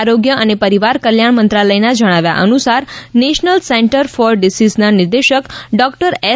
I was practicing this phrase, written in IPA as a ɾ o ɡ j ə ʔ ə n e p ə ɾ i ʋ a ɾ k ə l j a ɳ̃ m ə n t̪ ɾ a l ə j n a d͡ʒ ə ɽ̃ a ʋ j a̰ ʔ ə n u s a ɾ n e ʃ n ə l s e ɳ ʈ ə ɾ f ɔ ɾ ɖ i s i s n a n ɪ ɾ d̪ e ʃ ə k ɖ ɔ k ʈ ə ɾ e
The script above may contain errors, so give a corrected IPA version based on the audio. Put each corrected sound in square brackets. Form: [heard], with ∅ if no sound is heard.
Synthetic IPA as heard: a ɾ o ɡ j ə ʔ ə n e p ə ɾ i ʋ a ɾ k ə l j a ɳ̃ m ə n t̪ ɾ a l ə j n a d͡ʒ ə ɽ̃ a ʋ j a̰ ʔ ə n u s a ɾ n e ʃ n ə l s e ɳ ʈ ə ɾ f ɔ ɾ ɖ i s i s n a n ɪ ɾ d̪ e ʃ ə k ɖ ɔ k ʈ ə ɾ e